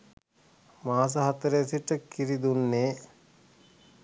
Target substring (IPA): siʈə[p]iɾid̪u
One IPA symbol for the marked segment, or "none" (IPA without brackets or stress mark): k